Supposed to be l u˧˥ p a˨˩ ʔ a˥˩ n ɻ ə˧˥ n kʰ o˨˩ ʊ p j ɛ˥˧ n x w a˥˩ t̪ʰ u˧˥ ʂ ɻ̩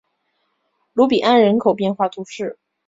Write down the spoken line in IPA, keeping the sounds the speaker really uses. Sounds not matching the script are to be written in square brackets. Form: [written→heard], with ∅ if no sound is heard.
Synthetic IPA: l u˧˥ p [a˨˩→i˨˩] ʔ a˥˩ n ɻ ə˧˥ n kʰ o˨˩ ʊ p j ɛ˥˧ n x w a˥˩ t̪ʰ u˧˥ ʂ ɻ̩

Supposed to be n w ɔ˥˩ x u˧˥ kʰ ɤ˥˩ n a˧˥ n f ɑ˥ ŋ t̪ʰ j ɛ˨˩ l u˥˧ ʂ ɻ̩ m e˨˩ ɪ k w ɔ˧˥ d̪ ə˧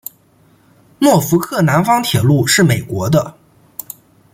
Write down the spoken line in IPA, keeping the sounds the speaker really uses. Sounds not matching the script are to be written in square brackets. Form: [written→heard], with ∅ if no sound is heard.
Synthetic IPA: n w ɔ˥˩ [x→f] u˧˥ kʰ ɤ˥˩ n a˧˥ n f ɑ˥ ŋ t̪ʰ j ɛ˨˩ l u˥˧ ʂ ɻ̩ m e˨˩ ɪ k w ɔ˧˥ d̪ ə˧

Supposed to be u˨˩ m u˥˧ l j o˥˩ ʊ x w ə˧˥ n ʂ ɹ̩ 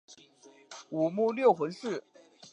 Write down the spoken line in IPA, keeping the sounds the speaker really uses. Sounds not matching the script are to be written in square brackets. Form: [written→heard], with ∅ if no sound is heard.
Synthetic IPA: u˨˩ m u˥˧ l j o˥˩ ʊ x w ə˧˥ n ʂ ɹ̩

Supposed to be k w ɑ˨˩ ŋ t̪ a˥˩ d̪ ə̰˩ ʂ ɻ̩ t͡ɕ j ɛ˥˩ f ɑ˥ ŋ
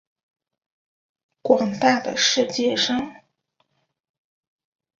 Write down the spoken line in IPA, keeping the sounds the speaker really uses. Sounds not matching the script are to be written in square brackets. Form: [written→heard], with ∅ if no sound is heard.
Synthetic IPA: k w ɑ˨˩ ŋ t̪ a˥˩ d̪ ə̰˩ ʂ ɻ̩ t͡ɕ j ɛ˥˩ [f→ʂ] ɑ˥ ŋ

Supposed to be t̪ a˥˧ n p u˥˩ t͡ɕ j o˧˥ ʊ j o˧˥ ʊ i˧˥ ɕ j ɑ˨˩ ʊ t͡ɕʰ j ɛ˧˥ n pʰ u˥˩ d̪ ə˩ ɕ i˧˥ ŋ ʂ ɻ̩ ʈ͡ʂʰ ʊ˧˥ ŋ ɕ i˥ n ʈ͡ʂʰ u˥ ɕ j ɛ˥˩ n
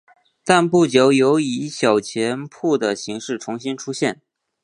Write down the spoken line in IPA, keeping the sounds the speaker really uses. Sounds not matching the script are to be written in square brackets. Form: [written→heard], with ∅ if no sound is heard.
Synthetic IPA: t̪ a˥˧ n p u˥˩ t͡ɕ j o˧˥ ʊ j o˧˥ ʊ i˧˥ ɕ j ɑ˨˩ ʊ t͡ɕʰ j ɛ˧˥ n pʰ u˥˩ d̪ ə˩ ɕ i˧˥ ŋ ʂ ɻ̩ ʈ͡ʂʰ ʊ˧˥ ŋ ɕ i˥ n ʈ͡ʂʰ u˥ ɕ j ɛ˥˩ n

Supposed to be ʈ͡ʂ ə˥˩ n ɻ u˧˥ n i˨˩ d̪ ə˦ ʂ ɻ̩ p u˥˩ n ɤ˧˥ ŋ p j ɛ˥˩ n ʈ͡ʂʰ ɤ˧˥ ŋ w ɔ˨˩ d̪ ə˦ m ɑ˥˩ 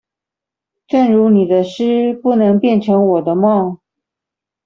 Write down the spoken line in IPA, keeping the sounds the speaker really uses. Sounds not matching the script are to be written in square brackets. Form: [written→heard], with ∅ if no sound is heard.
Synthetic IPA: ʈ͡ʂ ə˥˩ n ɻ u˧˥ n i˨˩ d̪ ə˦ ʂ ɻ̩ p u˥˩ n ɤ˧˥ ŋ p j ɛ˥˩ n ʈ͡ʂʰ ɤ˧˥ ŋ w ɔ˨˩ d̪ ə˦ m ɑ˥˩

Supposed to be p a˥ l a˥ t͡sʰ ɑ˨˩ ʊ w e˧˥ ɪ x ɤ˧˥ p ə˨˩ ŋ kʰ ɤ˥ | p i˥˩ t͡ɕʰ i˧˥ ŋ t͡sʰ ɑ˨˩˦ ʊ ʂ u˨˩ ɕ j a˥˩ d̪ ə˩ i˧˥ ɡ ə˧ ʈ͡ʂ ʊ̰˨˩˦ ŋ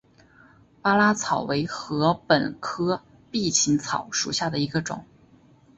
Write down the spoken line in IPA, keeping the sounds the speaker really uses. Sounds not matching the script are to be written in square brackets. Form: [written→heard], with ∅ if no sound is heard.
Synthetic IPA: p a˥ l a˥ t͡sʰ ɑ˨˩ ʊ w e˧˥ ɪ x ɤ˧˥ p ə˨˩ [ŋ→n] kʰ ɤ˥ | p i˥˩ t͡ɕʰ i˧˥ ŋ t͡sʰ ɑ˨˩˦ ʊ ʂ u˨˩ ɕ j a˥˩ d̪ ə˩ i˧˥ ɡ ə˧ ʈ͡ʂ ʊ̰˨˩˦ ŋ

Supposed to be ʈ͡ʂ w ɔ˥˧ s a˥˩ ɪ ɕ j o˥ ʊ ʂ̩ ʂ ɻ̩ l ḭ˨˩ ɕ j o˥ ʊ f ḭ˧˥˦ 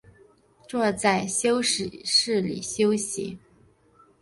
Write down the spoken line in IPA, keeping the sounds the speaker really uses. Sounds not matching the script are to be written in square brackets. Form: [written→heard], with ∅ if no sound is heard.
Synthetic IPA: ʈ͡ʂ w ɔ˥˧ [s→t͡s] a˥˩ ɪ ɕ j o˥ ʊ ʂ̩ ʂ ɻ̩ l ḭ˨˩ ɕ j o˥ ʊ [f→ɕ] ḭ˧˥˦

